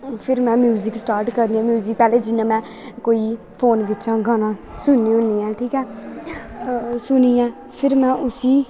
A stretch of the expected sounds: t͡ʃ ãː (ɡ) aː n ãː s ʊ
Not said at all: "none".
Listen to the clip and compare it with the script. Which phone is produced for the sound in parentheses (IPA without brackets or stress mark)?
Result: ɡ